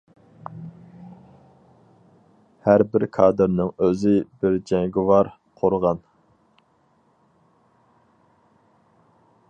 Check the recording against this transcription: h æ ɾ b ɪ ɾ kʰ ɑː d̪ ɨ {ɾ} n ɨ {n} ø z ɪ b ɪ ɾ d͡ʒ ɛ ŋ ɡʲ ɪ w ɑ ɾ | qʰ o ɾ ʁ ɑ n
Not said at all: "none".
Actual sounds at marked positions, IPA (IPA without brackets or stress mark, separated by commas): ɾ, ŋ